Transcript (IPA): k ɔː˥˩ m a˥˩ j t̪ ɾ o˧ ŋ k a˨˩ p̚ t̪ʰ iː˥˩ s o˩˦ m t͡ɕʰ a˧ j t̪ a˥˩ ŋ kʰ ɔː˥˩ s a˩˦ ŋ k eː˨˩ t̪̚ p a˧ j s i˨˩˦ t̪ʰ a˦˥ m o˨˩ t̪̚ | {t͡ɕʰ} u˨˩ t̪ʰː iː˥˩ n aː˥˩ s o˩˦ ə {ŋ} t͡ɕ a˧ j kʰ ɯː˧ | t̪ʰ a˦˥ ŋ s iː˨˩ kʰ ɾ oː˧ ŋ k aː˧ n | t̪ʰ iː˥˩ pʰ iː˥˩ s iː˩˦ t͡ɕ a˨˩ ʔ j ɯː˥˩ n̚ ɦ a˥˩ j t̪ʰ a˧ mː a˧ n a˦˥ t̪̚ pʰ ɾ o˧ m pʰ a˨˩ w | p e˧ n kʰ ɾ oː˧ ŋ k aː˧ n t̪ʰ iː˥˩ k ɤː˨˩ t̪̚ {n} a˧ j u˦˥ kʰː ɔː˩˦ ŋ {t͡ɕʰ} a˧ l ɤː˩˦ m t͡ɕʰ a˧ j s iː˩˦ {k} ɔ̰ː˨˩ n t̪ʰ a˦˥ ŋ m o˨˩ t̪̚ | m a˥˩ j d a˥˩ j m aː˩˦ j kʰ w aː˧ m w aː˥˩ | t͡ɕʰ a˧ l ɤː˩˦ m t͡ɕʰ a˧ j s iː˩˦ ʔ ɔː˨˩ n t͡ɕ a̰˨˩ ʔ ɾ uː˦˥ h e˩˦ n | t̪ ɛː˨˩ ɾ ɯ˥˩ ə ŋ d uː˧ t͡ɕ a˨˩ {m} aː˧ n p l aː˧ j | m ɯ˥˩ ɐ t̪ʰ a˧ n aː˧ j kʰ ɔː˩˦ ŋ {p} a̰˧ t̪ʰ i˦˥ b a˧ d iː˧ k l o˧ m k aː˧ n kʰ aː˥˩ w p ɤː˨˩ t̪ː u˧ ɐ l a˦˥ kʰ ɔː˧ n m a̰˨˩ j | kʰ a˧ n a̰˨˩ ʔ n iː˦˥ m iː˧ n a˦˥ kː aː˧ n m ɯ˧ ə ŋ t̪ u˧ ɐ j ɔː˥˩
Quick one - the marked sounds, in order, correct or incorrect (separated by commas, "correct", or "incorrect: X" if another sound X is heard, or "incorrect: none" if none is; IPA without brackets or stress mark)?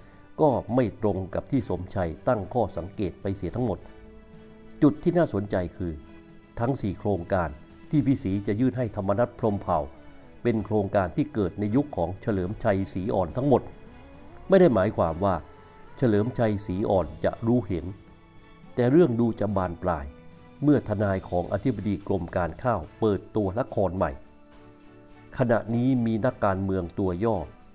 incorrect: t͡ɕ, incorrect: n, correct, correct, incorrect: ʔ, incorrect: b, incorrect: ʔ